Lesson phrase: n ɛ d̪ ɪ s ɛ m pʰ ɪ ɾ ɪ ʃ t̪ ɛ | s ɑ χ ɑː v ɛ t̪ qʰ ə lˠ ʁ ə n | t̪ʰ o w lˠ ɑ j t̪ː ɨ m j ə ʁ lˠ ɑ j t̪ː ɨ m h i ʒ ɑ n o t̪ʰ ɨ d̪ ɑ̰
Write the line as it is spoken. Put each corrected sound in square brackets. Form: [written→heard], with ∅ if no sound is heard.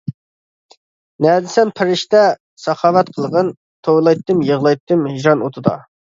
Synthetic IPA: n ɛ d̪ ɪ s ɛ m pʰ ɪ ɾ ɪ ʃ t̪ ɛ | s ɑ χ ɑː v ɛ t̪ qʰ ə lˠ ʁ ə n | t̪ʰ o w lˠ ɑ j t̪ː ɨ m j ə ʁ lˠ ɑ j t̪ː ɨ m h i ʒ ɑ n o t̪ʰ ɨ d̪ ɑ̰